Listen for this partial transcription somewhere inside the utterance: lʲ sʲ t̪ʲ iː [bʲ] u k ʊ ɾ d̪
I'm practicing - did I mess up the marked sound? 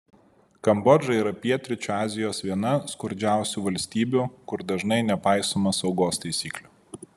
no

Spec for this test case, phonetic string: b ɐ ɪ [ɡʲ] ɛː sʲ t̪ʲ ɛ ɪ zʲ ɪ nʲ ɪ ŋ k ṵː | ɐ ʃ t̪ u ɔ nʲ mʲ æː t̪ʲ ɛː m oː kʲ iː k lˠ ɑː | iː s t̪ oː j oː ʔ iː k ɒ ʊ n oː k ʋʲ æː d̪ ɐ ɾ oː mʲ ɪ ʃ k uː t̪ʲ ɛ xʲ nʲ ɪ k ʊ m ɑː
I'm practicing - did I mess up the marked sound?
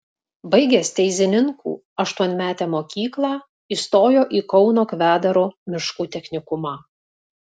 no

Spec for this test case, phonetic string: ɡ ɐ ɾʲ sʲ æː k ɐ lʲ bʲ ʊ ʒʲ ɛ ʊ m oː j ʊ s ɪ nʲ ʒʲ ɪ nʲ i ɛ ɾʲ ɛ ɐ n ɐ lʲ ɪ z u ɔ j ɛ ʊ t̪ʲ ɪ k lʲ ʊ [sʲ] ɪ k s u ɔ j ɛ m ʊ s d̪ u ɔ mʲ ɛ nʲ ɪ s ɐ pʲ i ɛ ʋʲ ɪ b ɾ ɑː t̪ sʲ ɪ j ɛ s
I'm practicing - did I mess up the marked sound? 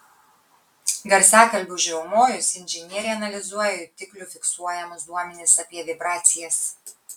yes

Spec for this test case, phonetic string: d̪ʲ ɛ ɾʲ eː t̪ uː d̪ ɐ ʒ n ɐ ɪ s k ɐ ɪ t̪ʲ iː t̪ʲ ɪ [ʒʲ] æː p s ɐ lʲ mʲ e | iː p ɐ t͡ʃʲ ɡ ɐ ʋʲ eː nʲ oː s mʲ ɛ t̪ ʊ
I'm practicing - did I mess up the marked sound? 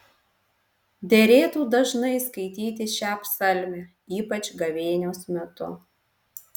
yes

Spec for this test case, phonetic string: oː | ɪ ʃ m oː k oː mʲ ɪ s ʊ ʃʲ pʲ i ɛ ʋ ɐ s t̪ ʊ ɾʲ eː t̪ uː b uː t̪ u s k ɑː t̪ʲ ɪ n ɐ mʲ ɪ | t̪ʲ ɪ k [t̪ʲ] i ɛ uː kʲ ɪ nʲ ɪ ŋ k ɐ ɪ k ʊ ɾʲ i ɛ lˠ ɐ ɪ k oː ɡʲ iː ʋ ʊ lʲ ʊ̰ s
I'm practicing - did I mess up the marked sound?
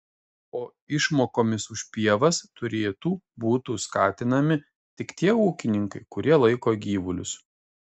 no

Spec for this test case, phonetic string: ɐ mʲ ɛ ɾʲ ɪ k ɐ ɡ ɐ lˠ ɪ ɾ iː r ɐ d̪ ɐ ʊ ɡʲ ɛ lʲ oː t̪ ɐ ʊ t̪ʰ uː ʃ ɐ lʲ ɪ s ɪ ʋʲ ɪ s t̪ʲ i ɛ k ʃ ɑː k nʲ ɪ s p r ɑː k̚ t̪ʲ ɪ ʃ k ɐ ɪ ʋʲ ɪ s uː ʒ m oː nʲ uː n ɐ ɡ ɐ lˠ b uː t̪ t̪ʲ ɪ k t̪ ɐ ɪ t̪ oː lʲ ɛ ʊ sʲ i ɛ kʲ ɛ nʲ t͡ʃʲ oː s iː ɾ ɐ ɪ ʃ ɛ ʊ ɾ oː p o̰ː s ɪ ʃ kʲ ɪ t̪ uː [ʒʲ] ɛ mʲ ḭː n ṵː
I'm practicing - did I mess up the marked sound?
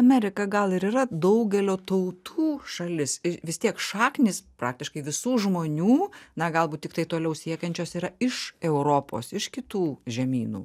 no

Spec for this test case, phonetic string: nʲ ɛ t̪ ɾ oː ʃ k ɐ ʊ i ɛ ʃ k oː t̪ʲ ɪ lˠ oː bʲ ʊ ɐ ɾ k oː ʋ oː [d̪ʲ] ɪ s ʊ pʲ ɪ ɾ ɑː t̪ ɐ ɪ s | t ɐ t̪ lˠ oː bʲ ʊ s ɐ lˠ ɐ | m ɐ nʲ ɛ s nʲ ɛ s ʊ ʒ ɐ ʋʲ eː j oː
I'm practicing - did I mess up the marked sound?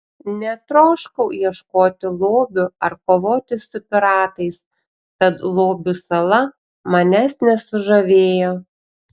yes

